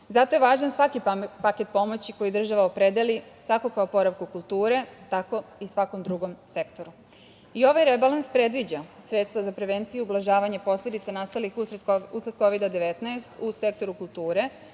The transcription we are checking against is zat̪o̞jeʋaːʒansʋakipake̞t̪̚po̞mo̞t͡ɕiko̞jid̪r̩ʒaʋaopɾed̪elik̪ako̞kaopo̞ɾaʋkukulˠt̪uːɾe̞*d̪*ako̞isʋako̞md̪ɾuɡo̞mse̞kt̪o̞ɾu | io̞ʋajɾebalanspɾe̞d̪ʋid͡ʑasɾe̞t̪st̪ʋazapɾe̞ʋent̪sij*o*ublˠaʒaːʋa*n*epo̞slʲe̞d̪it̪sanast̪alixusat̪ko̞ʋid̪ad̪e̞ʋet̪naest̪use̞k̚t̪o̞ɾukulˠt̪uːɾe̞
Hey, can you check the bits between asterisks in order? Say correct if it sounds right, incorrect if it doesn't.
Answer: incorrect, incorrect, incorrect

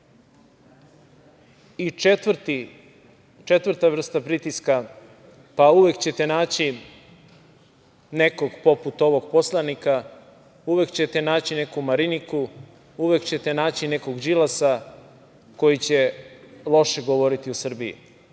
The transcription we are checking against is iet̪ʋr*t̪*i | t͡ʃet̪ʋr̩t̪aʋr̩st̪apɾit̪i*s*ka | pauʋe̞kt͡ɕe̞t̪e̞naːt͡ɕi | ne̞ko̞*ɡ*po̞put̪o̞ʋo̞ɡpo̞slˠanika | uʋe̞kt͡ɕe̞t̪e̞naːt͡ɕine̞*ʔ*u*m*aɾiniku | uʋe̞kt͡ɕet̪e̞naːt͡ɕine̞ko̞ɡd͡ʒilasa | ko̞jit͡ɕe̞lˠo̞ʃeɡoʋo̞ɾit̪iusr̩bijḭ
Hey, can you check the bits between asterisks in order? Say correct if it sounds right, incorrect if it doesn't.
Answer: correct, correct, correct, incorrect, correct

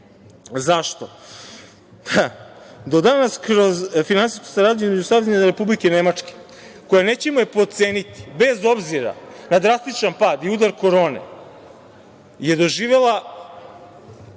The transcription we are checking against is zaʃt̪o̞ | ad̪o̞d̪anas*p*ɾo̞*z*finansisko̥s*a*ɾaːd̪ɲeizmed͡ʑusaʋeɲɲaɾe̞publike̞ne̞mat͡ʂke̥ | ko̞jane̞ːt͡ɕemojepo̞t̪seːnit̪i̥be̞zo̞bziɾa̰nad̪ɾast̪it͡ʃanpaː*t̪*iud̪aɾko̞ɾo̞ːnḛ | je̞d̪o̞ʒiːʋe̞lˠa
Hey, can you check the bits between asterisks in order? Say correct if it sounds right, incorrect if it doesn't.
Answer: incorrect, correct, correct, incorrect

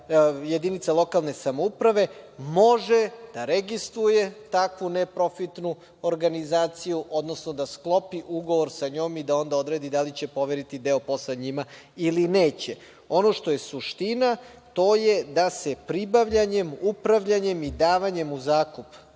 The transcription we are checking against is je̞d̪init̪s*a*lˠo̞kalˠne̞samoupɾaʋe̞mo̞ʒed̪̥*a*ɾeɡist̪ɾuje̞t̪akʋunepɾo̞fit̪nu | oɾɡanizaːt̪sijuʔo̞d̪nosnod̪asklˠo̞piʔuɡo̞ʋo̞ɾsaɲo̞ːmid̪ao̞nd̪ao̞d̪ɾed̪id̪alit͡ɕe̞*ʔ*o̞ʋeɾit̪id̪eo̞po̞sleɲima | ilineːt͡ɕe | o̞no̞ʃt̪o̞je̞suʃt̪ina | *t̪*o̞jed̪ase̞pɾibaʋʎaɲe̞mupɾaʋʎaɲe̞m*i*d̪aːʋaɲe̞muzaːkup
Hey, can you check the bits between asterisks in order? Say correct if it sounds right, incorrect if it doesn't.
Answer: correct, correct, incorrect, correct, correct

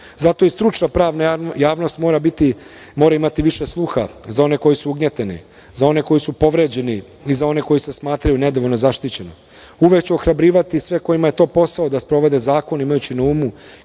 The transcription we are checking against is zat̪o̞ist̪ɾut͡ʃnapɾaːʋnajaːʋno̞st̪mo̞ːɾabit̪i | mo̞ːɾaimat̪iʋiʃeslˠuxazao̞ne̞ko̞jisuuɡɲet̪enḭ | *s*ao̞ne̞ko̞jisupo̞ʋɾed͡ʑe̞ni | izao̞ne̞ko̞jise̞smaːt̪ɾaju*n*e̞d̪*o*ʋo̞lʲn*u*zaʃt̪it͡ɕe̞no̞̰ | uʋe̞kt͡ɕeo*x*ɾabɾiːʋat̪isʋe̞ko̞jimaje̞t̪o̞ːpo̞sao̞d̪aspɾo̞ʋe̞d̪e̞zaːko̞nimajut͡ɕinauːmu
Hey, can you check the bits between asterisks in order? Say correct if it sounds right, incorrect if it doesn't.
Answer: incorrect, correct, correct, incorrect, correct

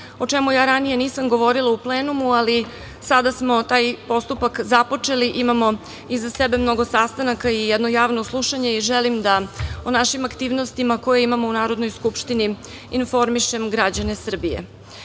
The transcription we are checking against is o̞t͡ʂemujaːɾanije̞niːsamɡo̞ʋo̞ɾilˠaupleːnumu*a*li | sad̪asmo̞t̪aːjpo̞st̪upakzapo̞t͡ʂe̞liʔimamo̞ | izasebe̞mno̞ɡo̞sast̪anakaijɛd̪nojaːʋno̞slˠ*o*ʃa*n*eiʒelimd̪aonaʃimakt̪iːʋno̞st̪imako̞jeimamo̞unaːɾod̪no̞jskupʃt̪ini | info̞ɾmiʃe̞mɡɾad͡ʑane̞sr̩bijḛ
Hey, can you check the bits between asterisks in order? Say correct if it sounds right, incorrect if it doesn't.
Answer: correct, incorrect, incorrect

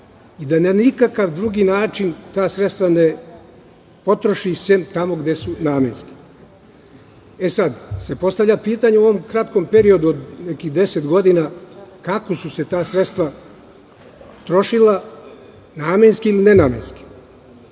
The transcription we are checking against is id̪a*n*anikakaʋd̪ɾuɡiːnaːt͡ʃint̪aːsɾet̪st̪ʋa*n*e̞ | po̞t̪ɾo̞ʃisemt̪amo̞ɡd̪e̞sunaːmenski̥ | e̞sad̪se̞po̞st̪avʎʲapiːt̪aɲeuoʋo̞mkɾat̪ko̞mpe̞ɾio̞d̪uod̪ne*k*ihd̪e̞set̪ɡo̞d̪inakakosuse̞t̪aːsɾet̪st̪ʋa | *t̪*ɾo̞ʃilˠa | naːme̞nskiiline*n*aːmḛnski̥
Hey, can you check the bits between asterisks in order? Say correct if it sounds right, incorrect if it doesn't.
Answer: correct, correct, correct, correct, correct

